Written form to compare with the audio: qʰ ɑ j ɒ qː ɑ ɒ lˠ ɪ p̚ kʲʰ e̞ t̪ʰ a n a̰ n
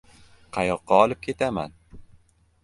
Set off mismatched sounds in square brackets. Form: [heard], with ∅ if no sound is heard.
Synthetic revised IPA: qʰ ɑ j ɒ qː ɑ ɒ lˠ ɪ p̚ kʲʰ e̞ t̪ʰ a [m] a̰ n